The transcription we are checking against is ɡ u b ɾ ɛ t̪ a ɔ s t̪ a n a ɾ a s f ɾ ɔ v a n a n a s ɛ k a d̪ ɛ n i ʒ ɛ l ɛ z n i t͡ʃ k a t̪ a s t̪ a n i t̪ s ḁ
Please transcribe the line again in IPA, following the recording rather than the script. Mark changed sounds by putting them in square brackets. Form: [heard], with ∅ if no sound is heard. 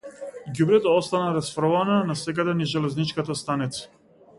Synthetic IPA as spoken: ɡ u b ɾ ɛ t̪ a ɔ s t̪ a n a ɾ a s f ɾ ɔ v a n a n a s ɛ k a d̪ ɛ n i ʒ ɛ l ɛ z n i t͡ʃ k a t̪ a s t̪ a n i t̪ s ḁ